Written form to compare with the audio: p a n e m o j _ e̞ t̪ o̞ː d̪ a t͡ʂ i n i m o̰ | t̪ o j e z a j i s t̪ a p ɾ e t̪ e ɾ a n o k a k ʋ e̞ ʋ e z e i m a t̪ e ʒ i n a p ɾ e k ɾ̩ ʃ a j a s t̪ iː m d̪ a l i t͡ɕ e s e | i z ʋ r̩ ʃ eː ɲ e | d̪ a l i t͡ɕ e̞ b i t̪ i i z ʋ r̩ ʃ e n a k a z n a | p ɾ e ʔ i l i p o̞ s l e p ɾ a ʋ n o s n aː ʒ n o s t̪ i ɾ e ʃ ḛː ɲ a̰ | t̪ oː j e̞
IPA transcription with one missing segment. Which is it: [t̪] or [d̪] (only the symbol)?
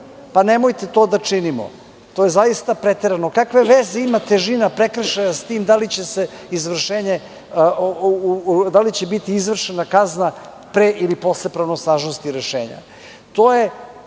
t̪